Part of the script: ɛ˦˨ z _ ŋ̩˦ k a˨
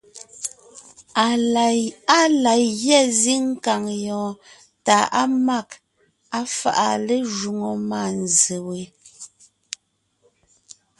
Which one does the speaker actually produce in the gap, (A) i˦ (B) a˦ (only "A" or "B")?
A